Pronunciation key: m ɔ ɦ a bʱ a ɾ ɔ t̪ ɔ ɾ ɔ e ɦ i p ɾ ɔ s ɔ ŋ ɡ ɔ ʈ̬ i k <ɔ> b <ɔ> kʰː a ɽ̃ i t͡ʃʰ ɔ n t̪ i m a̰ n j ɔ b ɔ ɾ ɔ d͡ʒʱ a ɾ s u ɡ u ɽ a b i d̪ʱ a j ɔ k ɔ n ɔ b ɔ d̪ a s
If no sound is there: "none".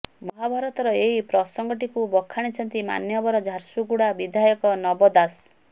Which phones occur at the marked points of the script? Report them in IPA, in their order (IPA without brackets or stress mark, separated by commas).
u, ɔ